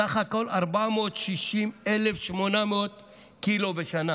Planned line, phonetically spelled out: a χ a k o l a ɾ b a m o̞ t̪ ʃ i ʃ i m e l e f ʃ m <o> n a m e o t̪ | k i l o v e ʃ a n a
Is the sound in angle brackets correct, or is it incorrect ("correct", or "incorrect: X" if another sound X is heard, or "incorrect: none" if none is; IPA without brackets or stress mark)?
correct